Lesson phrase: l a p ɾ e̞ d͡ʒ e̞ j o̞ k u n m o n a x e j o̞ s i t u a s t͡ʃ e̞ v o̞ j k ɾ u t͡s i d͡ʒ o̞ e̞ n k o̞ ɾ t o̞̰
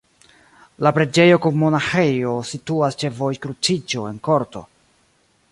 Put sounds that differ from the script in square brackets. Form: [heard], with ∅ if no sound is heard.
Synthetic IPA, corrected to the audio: l a p ɾ e̞ d͡ʒ e̞ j o̞ k u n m o n a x e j o̞ s i t u a s t͡ʃ e̞ v o̞ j k ɾ u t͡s i d͡ʒ o̞ e̞ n k o̞ ɾ t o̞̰